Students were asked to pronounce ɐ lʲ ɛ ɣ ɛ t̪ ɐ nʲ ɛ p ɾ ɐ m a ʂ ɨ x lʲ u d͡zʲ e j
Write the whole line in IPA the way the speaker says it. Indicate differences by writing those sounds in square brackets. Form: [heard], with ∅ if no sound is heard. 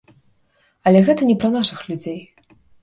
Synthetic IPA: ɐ lʲ ɛ ɣ ɛ t̪ ɐ nʲ ɛ p ɾ ɐ [n] a ʂ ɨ x lʲ u d͡zʲ e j